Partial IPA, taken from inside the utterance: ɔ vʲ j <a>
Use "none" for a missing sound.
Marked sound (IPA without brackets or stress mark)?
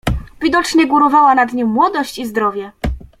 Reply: ɛ